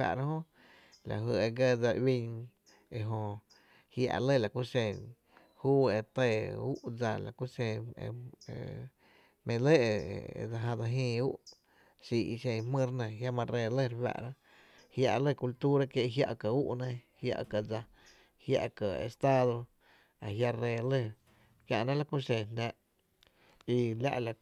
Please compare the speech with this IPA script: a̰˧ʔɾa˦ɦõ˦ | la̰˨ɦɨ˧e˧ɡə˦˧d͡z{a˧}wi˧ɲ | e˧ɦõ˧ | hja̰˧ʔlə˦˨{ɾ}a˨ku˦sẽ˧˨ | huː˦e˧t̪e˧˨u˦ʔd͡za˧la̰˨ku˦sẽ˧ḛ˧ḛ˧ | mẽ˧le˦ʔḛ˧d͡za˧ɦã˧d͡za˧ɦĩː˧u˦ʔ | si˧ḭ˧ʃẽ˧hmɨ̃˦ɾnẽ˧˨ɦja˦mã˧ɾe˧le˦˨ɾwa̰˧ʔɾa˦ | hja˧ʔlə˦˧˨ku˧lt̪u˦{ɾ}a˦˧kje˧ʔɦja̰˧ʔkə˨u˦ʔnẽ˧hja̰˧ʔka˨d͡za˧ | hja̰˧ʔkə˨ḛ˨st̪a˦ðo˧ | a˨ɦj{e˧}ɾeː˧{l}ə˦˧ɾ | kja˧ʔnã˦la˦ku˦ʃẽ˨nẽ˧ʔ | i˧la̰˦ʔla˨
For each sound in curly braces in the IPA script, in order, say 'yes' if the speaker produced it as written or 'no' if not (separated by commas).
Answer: yes, no, yes, no, yes